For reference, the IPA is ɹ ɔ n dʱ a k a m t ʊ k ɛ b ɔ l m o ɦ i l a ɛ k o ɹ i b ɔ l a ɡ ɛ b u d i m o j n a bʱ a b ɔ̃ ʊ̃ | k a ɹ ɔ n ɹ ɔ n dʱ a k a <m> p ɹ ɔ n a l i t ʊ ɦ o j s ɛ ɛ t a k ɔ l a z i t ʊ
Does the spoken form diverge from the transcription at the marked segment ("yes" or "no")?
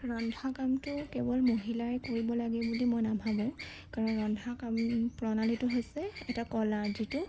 no